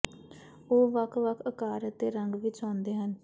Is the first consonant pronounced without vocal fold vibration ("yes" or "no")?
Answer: no